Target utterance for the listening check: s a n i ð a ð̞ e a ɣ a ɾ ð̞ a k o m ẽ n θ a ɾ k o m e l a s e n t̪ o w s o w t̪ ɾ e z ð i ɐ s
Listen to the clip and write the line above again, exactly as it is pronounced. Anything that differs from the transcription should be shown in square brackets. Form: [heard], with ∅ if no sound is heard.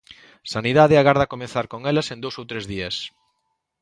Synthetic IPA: s a n i ð a ð̞ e a ɣ a ɾ ð̞ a k o m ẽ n θ a ɾ k o [ŋ] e l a s e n [d̪] o w s o w t̪ ɾ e z ð i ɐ s